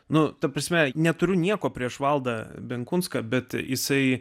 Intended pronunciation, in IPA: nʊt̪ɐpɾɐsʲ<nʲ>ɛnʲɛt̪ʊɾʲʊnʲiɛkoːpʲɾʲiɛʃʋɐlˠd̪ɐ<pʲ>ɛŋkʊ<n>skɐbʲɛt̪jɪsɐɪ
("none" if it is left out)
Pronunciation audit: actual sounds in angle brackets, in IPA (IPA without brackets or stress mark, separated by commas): mʲ, bʲ, n